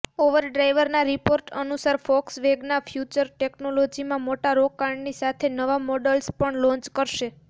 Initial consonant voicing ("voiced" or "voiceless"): voiced